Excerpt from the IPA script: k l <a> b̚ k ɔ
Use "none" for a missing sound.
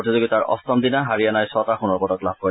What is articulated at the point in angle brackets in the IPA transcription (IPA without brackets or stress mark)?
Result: a